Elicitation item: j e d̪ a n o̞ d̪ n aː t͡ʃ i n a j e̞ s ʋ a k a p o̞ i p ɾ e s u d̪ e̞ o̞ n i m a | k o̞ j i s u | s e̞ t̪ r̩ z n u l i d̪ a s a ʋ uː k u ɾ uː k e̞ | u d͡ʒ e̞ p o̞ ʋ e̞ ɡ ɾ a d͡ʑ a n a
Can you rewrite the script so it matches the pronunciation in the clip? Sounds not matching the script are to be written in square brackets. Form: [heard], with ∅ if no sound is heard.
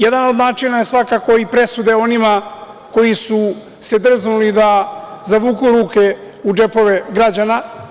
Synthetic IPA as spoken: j e d̪ a n o̞ d̪ n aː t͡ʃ i n a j e̞ s ʋ a k a [k] o̞ i p ɾ e s u d̪ e̞ o̞ n i m a | k o̞ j i s u | s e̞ [d̪] r̩ z n u l i d̪ a [z] a ʋ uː k u ɾ uː k e̞ | u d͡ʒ e̞ p o̞ ʋ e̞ ɡ ɾ a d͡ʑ a n a